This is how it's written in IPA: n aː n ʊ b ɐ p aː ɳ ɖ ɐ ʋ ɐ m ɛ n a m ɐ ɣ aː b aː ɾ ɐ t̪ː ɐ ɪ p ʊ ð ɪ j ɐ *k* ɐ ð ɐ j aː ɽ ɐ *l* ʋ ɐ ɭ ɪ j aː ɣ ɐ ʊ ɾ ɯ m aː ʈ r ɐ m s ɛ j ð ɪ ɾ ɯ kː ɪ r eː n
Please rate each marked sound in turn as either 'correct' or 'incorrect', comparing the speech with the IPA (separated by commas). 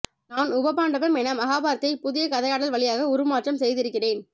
correct, correct